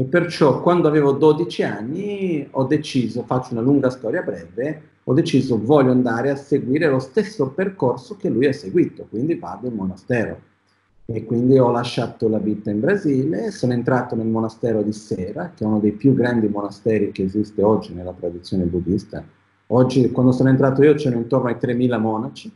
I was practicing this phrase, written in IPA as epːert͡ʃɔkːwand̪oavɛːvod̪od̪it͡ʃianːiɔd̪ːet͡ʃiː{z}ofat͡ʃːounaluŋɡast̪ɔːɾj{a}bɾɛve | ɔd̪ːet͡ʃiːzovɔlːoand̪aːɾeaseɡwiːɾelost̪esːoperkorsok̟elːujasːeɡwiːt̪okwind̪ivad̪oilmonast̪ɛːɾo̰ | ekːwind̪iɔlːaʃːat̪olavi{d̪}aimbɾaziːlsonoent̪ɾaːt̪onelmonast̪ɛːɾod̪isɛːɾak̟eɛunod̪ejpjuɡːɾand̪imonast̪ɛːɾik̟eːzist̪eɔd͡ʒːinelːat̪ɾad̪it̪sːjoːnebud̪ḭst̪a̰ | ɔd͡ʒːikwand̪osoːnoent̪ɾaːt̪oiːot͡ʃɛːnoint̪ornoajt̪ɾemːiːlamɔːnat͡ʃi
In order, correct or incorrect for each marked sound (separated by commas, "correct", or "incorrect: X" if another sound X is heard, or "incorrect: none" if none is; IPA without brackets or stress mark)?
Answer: correct, correct, incorrect: t̪